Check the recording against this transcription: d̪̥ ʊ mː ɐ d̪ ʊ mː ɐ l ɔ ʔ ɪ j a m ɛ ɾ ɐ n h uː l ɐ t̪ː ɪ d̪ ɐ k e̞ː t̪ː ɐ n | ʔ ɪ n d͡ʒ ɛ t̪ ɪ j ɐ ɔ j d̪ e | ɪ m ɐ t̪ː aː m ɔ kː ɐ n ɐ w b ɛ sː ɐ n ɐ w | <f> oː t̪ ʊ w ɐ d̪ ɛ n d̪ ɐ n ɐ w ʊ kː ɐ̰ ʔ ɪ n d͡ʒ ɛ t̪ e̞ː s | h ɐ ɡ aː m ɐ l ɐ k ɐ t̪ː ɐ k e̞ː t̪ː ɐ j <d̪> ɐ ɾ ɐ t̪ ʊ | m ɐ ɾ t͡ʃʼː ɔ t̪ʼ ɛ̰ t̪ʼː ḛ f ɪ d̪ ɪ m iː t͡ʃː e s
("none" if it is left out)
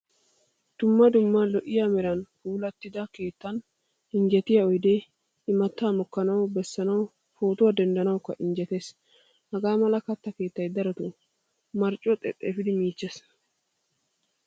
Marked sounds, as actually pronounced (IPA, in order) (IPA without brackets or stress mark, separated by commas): f, d̪